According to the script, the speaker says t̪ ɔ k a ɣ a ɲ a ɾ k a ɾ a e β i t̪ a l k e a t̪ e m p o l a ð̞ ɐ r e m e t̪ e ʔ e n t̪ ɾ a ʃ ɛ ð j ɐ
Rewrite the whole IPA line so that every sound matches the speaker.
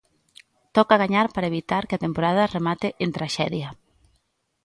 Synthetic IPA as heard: t̪ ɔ k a ɣ a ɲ a ɾ p a ɾ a e β i t̪ a ɾ k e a t̪ e m p o ɾ a ð̞ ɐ r e m a t̪ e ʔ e n t̪ ɾ a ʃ ɛ ð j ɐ